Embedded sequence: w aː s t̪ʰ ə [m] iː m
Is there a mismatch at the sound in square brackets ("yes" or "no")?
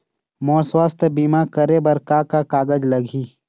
yes